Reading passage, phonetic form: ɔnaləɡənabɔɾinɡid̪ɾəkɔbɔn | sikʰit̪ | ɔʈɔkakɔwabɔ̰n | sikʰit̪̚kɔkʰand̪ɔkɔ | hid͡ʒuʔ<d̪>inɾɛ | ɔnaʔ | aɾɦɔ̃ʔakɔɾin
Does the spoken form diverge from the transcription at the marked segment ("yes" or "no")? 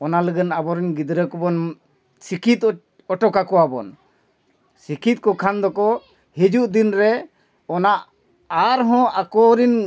no